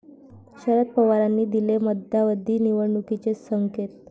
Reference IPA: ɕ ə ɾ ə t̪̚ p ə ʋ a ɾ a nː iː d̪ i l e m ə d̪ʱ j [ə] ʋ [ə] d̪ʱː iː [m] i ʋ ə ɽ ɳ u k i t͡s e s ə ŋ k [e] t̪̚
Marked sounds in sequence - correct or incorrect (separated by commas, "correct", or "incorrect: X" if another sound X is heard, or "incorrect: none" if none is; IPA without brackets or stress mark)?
incorrect: a, correct, incorrect: n, correct